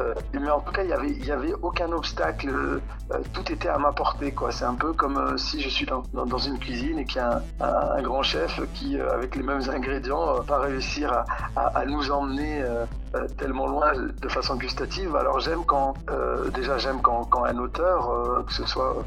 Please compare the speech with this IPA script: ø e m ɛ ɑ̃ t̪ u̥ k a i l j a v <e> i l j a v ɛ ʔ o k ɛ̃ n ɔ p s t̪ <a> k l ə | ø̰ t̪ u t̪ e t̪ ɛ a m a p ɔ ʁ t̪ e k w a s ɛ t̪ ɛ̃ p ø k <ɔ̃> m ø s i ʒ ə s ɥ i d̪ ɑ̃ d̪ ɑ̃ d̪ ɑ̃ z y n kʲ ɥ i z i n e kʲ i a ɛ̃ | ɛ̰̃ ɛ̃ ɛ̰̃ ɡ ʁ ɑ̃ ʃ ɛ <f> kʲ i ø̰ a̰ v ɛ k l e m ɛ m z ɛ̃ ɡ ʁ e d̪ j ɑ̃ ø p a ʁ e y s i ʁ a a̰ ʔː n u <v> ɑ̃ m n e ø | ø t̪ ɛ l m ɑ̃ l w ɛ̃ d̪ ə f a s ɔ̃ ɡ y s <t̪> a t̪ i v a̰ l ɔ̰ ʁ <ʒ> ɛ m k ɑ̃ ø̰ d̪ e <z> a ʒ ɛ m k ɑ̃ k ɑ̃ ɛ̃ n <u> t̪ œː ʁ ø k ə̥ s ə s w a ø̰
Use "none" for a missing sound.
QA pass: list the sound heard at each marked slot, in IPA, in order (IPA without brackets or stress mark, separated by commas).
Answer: ɛ, a, ɔ, f, z, t̪, ʒ, ʒ, o